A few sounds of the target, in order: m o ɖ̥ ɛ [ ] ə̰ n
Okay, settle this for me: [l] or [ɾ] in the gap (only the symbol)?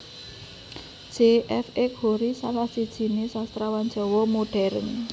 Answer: ɾ